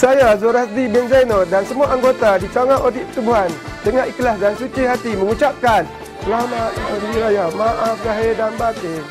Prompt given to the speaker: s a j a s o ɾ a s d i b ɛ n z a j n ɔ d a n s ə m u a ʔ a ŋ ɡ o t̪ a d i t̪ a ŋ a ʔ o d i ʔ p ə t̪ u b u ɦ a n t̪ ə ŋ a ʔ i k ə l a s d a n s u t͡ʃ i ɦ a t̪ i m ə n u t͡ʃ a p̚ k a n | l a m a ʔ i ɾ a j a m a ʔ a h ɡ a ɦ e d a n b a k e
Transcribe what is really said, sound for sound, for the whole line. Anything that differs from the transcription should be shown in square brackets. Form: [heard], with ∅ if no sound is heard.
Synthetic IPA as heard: s a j a [z] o ɾ a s d i b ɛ n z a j n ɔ d a n s ə m u a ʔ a ŋ ɡ o t̪ a d i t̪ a ŋ a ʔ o d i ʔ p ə t̪ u b u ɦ a n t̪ ə ŋ a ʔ i k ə l a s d a n s u t͡ʃ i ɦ a t̪ i m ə [ŋ] u t͡ʃ a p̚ k a n | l a m a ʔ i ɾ a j a m a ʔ a [f] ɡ a ɦ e d a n b a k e